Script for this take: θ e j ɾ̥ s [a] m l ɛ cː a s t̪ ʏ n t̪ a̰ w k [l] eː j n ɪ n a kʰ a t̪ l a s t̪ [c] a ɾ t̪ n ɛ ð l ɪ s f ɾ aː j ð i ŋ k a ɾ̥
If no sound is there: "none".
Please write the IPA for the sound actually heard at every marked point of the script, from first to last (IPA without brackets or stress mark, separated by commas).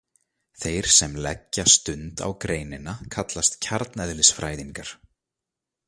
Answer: ɛ, ɾ, cʰ